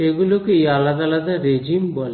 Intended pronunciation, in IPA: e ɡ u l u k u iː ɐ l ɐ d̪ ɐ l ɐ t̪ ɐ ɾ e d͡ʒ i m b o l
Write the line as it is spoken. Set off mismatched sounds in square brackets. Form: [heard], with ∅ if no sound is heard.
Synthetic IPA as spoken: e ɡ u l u k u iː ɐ l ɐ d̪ ɐ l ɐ [d̪] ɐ ɾ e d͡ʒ i m b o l